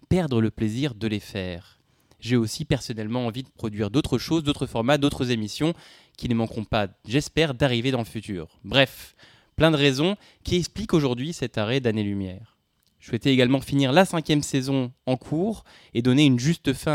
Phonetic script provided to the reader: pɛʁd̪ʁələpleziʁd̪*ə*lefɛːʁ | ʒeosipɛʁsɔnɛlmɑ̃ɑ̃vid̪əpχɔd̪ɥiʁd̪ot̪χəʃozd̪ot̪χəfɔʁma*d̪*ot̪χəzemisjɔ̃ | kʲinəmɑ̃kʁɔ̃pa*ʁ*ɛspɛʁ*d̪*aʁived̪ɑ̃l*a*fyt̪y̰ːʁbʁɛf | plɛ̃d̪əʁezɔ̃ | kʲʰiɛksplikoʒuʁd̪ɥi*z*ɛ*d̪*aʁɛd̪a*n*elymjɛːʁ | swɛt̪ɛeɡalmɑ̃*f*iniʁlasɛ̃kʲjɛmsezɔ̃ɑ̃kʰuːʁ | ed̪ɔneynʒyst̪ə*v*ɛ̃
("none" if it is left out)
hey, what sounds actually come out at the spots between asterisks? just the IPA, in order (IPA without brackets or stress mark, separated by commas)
ə, d̪, ʒ, d̪, ə, s, t̪, n, f, f